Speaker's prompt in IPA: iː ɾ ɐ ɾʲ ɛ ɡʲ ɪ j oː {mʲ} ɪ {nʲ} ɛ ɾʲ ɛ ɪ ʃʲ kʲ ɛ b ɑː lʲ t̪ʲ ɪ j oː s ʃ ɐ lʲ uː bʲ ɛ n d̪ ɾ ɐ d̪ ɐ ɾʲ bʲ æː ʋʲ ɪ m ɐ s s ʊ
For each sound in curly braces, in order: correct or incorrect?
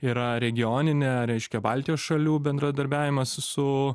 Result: incorrect: nʲ, correct

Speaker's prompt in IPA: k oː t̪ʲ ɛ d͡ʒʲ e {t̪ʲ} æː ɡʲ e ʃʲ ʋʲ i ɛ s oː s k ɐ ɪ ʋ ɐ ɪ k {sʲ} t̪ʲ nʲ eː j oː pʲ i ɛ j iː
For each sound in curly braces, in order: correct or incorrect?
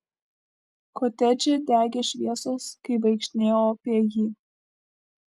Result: incorrect: d̪ʲ, incorrect: ʃʲ

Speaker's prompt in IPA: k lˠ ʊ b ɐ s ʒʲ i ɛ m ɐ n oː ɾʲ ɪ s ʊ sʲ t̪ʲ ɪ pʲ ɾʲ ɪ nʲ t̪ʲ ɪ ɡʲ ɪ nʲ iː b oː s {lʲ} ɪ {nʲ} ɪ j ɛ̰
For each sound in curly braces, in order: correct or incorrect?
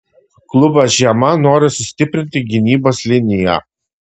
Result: correct, correct

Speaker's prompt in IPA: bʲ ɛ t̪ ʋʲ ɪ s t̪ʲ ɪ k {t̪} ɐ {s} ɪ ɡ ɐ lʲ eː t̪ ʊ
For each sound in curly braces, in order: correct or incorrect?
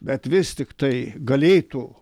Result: correct, incorrect: none

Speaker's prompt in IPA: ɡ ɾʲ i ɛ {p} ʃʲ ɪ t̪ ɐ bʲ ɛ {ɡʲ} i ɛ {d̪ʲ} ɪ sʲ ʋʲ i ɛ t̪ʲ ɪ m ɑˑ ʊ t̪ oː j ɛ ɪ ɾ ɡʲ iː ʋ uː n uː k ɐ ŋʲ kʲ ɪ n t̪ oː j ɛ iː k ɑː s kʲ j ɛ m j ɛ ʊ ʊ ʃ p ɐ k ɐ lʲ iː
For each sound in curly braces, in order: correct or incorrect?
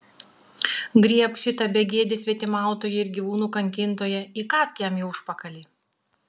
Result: correct, correct, correct

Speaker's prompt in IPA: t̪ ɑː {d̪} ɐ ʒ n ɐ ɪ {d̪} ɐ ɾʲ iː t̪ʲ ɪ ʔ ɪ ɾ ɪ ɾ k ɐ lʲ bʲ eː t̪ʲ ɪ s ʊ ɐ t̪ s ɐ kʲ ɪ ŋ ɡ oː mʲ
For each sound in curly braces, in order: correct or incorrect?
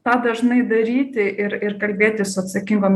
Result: correct, correct

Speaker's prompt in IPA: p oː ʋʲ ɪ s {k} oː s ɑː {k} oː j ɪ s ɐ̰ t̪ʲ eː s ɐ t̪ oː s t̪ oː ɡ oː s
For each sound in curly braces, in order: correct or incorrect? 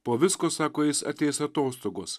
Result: correct, correct

